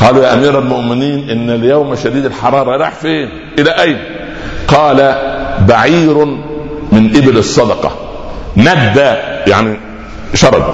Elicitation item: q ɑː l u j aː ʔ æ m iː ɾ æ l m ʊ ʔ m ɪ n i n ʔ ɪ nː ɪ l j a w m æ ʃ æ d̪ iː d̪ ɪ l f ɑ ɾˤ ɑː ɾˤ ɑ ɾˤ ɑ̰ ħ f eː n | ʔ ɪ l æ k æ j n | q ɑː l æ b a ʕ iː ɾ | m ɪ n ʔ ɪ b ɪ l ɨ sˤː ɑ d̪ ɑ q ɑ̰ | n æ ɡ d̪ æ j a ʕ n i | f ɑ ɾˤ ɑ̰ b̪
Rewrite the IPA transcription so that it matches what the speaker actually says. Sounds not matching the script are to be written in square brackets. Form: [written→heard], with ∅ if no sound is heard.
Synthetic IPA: q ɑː l u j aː ʔ æ m iː ɾ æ l m ʊ ʔ m ɪ n [i→iː] n ʔ ɪ nː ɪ l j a w m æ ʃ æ d̪ iː d̪ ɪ l [f→ħ] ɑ ɾˤ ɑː ɾˤ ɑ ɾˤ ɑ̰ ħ f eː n | ʔ ɪ l æ [k→ʔ] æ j n | q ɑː l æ b a ʕ iː ɾ | m ɪ n ʔ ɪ b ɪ l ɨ sˤː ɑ d̪ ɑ q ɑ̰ | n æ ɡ d̪ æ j a ʕ n i | [f→ʃ] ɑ ɾˤ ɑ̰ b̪